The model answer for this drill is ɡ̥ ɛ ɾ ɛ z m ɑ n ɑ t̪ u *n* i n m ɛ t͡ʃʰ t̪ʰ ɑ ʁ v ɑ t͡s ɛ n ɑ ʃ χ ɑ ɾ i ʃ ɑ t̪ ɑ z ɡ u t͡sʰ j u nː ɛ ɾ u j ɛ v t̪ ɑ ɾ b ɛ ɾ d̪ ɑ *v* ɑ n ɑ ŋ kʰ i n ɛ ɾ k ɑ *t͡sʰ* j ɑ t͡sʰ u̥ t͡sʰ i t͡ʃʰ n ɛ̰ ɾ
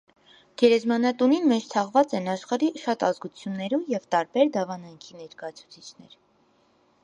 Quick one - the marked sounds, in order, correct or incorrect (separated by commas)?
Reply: correct, correct, incorrect